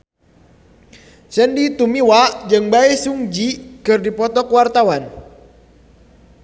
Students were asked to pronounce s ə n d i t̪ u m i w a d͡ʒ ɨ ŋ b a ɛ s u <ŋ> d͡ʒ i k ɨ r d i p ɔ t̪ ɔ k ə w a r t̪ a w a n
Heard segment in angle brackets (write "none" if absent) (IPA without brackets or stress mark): ŋ